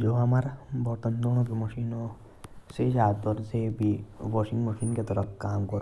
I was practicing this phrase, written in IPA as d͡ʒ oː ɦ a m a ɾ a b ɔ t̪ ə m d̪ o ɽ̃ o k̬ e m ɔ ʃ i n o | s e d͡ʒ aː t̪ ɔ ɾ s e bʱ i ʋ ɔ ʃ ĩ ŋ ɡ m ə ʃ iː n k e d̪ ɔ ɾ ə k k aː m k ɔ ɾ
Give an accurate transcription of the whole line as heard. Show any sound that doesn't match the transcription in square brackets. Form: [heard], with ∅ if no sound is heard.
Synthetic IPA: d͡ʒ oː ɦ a m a ɾ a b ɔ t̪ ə [n] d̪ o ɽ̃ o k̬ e m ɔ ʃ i n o | s e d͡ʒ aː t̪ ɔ ɾ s e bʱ i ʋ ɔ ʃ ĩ ŋ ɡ m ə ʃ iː n k e [t̪] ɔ ɾ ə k k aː m k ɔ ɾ